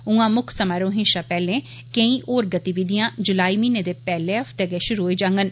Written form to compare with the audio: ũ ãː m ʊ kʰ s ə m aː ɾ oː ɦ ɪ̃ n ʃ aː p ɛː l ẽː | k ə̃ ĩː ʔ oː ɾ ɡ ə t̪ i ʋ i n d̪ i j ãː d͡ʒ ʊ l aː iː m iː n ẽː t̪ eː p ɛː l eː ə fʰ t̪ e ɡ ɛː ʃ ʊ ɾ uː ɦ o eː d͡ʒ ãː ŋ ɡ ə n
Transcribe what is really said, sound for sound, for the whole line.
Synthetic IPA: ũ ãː m ʊ kʰ s ə m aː ɾ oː ɦ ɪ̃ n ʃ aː p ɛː l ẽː | k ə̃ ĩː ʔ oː ɾ ɡ ə t̪ i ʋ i d̪ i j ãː d͡ʒ ʊ l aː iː m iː n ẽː d̪ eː p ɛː l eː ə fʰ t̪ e ɡ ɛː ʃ ʊ ɾ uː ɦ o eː d͡ʒ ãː ŋ ɡ ə n

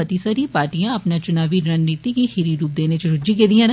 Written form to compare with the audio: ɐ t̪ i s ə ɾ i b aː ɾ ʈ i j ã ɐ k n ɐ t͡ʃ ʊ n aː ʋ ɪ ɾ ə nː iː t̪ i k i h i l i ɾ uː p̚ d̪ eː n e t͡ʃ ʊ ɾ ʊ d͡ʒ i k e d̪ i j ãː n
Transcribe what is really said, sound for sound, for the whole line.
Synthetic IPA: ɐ t̪ i s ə ɾ i p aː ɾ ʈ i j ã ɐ p n a t͡ʃ ʊ n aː ʋ i ɾ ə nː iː t̪ i k i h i ɾ i ɾ uː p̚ d̪ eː n e t͡ʃ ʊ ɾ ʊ d͡ʒ i k e d̪ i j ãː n

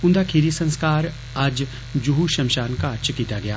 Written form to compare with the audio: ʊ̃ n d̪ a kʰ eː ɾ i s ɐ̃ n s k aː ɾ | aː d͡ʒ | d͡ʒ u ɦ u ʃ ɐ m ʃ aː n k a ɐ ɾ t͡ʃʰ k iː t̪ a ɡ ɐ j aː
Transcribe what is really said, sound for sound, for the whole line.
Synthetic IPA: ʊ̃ n d̪ a kʰ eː ɾ i s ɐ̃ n s k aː ɾ | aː d͡ʒ | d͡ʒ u ɦ u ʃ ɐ m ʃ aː n k a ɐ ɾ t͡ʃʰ k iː t̪ a ɡ ɐ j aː

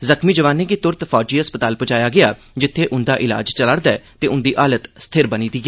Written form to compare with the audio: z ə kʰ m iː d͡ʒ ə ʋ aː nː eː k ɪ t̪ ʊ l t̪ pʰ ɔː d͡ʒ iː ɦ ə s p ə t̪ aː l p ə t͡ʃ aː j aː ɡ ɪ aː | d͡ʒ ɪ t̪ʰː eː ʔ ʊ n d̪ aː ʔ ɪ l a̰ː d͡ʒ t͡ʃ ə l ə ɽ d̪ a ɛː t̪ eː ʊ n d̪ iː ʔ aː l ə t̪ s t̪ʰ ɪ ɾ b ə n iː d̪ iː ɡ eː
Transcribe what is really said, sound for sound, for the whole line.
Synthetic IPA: z ə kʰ m iː d͡ʒ ə ʋ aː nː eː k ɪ t̪ ʊ ɾ t̪ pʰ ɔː d͡ʒ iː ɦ ə s p ə t̪ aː l p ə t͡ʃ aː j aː ɡ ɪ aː | d͡ʒ ɪ t̪ʰː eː ʔ ʊ n d̪ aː ʔ ɪ l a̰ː d͡ʒ t͡ʃ ə l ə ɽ d̪ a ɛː t̪ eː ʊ n d̪ iː ʔ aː l ə t̪ s t̪ʰ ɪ ɾ b ə n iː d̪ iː ɡ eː

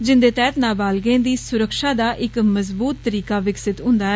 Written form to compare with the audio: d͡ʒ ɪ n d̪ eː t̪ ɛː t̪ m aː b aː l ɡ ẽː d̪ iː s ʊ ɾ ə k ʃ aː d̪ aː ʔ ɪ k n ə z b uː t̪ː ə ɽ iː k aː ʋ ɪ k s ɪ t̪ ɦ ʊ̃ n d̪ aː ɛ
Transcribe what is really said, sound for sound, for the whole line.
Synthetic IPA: d͡ʒ ɪ n d̪ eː t̪ ɛː t̪ n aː b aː l ɡ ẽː d̪ iː s ʊ ɾ ə k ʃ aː d̪ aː ʔ ɪ k m ə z b uː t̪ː ə ɾ iː k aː ʋ ɪ k s ɪ t̪ ɦ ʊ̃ n d̪ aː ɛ

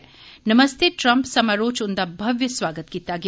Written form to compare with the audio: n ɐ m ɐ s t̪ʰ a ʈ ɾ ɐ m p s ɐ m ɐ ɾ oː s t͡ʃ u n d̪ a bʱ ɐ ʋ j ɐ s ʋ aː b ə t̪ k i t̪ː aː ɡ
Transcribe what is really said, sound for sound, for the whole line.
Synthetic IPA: n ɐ m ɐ s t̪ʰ e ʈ ɾ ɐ m p s ɐ m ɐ ɾ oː t͡ʃ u n d̪ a bʱ ɐ ʋ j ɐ s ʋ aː ɡ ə t̪ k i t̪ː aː ɡ

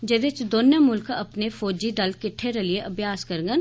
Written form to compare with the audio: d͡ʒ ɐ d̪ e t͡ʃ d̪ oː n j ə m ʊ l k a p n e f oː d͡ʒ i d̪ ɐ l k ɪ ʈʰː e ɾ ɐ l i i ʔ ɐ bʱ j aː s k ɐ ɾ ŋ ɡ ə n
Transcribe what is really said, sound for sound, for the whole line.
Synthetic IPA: d͡ʒ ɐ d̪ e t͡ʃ d̪ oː n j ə m ʊ l k ɐ p n e f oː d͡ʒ i d̪ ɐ l k ɪ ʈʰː e ɾ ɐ l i e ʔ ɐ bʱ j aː s k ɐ ɾ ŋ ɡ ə n

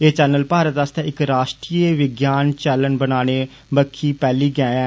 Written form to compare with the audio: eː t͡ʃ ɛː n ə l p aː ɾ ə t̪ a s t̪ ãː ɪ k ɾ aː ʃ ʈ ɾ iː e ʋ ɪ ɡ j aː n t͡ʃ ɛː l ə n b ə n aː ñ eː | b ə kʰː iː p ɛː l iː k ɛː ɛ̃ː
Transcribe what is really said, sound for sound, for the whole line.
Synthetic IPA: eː t͡ʃ ɛː n ə l p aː ɾ ə t̪ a s t̪ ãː ɪ k ɾ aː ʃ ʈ ɾ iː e ʋ ɪ ɡ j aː n t͡ʃ ɛː l ə n b ə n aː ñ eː | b ə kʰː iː p ɛː l iː ɡ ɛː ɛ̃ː

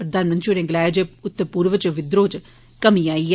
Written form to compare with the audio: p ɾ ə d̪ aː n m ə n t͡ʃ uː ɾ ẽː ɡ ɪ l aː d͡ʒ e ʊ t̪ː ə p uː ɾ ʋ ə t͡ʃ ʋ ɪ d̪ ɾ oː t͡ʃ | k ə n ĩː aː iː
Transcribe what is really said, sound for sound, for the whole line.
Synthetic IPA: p ɾ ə d̪ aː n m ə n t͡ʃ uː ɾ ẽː ɡ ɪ l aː d͡ʒ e ʊ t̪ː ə p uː ɾ ʋ ə t͡ʃ ʋ ɪ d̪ ɾ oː t͡ʃ | k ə m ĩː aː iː

